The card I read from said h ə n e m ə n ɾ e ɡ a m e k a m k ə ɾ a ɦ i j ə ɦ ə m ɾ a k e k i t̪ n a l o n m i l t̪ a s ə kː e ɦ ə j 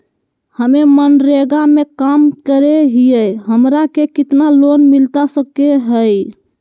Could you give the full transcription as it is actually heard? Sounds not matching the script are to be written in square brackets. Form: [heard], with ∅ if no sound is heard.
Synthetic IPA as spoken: h ə [m] e m ə n ɾ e ɡ a m e k a m k ə ɾ [e] ɦ i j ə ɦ ə m ɾ a k e k i t̪ n a l o n m i l t̪ a s ə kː e ɦ ə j